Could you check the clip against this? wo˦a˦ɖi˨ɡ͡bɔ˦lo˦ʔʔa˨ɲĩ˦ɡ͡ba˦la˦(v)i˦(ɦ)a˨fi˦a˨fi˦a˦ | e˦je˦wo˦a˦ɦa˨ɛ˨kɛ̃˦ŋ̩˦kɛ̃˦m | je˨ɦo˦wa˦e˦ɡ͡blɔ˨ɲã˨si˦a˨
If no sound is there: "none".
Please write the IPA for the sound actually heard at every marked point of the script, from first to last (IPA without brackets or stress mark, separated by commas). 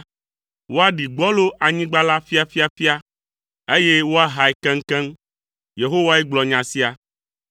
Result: f, none